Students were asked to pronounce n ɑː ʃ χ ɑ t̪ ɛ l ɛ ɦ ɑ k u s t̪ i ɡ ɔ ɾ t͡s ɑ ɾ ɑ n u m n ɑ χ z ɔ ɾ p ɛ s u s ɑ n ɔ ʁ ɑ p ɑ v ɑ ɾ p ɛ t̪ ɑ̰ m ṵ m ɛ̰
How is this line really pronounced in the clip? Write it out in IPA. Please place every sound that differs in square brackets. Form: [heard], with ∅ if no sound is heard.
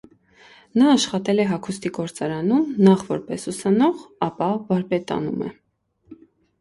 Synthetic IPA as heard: n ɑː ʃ χ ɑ t̪ ɛ l ɛ ɦ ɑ [kʰ] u s t̪ i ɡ ɔ ɾ t͡s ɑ ɾ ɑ n u m n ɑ χ [v] ɔ ɾ p ɛ s u s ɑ n ɔ ʁ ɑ p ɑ v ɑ ɾ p ɛ t̪ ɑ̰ [n] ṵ m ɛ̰